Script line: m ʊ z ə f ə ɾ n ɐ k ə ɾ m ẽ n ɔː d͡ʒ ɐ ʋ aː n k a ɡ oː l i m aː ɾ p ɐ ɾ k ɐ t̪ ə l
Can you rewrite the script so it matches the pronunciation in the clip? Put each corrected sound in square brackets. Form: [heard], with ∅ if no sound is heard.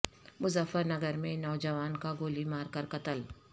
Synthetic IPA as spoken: m ʊ z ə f ə ɾ n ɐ [ɡ] ə ɾ m ẽ n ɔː d͡ʒ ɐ ʋ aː n k a ɡ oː l i m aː ɾ [k] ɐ ɾ k ɐ t̪ ə l